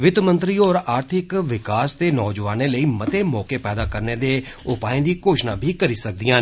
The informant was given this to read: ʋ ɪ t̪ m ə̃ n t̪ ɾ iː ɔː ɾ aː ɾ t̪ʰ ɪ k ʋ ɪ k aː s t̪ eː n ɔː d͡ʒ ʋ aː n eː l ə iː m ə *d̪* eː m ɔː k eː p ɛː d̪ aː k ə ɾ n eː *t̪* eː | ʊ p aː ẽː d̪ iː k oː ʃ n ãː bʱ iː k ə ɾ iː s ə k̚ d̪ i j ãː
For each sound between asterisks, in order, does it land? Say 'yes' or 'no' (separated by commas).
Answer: no, no